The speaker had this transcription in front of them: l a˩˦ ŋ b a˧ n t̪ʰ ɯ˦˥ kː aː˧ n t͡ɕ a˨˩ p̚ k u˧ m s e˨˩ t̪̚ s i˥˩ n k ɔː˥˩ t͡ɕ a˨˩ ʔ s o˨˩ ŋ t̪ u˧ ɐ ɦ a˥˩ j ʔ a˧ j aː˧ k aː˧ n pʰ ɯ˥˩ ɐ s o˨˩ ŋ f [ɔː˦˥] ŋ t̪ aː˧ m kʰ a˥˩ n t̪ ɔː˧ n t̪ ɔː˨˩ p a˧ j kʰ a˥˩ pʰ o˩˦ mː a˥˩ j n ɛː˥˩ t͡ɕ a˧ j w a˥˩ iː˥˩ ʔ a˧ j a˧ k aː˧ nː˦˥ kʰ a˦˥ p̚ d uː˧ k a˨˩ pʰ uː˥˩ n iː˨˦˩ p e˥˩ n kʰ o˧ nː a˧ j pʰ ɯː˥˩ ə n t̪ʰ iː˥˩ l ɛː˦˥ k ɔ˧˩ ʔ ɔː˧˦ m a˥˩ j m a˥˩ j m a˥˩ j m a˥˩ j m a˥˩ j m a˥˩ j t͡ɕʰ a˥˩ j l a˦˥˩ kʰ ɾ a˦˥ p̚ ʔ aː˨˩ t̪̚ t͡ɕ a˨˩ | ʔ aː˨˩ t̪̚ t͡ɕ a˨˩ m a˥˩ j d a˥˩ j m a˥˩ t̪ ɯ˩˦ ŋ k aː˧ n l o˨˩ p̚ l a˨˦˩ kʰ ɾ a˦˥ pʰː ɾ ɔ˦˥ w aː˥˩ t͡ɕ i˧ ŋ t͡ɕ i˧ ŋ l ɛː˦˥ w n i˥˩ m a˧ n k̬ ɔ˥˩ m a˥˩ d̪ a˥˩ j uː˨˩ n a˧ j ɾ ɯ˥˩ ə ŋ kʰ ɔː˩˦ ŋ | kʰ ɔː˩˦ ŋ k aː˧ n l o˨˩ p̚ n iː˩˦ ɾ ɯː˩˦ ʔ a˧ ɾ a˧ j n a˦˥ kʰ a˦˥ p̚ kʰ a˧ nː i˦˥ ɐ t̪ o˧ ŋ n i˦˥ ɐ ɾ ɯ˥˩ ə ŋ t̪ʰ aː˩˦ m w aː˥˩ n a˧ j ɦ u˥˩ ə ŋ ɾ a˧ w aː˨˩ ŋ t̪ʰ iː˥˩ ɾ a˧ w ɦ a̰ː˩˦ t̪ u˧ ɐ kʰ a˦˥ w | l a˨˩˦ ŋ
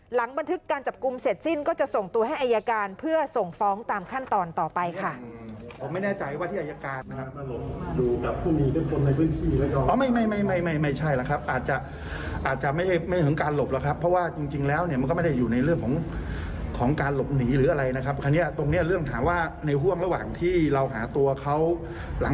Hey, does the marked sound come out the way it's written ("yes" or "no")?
yes